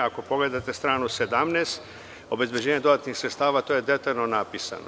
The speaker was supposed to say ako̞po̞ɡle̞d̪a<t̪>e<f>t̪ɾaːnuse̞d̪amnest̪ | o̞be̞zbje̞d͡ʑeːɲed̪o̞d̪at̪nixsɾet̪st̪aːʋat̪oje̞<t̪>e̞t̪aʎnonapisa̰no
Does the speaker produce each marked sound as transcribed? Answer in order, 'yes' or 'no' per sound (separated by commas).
yes, no, no